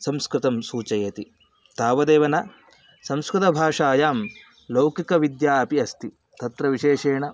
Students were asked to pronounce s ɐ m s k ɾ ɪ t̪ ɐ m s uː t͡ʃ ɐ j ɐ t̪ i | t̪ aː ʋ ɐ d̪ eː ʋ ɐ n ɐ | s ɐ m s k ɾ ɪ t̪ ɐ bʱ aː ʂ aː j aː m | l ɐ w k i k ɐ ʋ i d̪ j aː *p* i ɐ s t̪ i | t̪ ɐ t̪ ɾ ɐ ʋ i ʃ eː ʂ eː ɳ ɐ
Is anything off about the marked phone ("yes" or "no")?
no